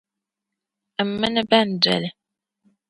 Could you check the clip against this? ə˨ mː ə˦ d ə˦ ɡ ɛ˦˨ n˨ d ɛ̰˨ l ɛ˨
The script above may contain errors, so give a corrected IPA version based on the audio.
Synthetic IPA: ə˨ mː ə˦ n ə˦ b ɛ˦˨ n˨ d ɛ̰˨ l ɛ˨